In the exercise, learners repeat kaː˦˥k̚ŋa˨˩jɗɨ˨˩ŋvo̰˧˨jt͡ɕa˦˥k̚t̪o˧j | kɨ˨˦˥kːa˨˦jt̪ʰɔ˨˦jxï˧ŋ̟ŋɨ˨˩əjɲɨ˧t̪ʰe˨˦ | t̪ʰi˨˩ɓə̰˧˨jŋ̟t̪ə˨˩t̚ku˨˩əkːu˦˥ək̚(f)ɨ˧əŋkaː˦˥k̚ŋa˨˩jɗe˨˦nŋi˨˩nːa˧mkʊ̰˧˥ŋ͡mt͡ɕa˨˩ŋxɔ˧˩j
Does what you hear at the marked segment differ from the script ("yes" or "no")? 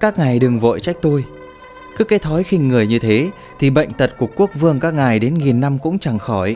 yes